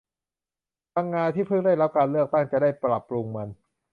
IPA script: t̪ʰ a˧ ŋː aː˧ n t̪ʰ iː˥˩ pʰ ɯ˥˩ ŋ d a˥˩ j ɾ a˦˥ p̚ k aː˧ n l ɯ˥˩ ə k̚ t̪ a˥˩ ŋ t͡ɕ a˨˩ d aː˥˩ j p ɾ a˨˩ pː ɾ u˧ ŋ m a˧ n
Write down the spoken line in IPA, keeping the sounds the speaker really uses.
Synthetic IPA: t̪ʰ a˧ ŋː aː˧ n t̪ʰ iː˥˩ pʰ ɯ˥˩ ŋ d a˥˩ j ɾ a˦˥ p̚ k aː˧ n l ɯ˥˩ ə k̚ t̪ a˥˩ ŋ t͡ɕ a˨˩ d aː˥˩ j p ɾ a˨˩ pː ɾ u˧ ŋ m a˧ n